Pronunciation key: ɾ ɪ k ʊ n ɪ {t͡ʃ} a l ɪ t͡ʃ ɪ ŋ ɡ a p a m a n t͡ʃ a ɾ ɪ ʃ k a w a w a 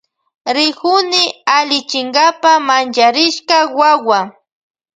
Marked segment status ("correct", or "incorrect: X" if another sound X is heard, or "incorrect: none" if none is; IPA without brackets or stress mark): incorrect: none